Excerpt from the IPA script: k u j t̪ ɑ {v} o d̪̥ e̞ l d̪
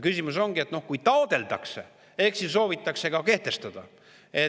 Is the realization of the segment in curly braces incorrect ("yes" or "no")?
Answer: yes